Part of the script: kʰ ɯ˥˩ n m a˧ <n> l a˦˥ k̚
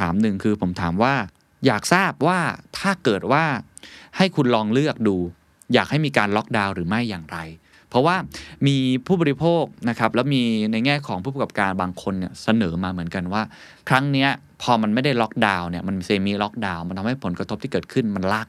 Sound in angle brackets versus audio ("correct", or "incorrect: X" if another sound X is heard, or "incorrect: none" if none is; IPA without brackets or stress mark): correct